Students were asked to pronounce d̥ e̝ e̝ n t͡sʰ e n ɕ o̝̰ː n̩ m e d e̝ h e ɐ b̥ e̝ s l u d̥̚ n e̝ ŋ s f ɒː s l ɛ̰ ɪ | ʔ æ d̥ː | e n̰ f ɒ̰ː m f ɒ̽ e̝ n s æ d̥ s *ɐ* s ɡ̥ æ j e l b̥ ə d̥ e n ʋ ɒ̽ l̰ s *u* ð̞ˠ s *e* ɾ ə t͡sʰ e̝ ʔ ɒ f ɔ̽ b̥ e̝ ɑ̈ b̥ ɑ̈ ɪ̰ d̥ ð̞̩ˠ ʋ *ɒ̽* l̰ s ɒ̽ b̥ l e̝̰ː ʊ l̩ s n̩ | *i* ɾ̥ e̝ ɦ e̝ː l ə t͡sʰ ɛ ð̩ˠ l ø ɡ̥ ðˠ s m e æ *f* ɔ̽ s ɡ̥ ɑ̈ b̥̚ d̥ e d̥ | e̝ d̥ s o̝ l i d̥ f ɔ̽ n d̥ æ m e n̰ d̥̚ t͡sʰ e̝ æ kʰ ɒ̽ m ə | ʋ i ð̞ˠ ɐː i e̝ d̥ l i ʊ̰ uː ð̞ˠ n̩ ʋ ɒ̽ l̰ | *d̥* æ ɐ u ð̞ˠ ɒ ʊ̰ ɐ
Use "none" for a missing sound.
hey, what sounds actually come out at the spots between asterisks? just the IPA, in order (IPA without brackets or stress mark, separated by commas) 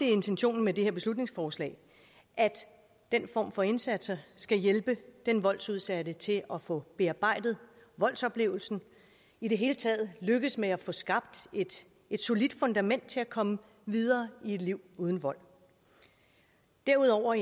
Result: ɐ, u, æ, ɒ̽, i, f, d̥